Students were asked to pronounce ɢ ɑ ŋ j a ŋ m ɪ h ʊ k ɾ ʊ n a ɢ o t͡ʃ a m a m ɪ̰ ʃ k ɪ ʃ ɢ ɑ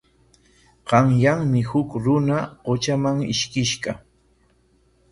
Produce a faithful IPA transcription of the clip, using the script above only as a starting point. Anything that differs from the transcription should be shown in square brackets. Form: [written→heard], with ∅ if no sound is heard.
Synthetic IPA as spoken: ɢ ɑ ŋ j a ŋ m ɪ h ʊ k ɾ ʊ n a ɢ o t͡ʃ a m a [m→ŋ] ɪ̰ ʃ k ɪ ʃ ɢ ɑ